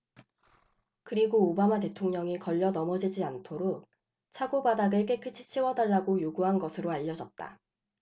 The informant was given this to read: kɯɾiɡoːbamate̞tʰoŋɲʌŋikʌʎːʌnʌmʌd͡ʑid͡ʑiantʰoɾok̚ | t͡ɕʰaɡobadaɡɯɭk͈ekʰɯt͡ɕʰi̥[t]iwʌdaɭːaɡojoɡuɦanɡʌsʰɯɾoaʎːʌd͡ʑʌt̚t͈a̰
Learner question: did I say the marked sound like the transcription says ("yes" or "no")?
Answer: no